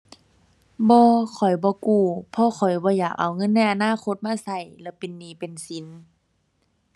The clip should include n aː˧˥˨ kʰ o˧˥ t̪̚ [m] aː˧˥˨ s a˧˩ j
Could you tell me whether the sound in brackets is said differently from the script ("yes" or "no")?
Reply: no